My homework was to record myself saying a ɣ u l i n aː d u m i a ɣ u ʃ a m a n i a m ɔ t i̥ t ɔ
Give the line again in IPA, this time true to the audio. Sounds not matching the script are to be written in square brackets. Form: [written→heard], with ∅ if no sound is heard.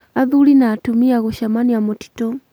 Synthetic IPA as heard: a [ɣ→ð] u l i n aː [d→t] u m i a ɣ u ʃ a m a n i a m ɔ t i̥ t ɔ